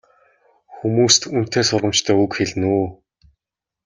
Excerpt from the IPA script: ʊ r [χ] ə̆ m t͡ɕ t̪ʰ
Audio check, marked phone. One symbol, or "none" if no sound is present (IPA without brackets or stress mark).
ʁ